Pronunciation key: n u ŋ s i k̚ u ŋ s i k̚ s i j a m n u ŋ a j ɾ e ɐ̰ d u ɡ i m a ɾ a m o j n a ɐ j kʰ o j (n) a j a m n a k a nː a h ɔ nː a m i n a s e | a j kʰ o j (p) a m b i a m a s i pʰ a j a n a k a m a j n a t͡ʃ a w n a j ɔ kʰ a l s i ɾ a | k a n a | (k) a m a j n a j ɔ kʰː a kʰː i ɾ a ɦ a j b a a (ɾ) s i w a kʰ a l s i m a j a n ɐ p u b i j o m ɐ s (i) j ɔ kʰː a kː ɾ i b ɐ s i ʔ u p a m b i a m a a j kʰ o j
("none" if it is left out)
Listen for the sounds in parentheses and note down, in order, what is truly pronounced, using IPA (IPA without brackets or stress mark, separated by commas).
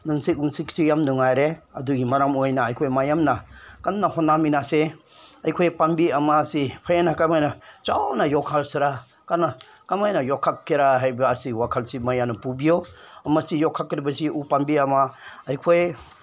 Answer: m, p, k, ɾ, i